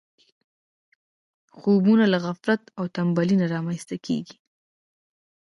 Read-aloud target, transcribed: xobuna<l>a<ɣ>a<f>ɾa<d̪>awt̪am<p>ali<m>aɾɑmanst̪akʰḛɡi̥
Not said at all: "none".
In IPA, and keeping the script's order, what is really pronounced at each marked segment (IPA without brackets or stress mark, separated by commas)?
l, ɣ, f, t̪, b, n